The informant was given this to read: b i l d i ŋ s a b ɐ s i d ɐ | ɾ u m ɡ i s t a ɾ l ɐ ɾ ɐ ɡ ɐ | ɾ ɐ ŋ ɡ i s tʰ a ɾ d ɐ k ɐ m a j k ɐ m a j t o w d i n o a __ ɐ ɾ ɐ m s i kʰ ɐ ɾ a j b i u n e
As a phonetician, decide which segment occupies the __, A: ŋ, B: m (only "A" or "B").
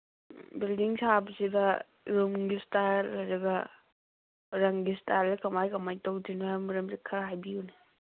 B